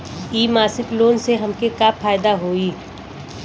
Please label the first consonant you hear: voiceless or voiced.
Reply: voiced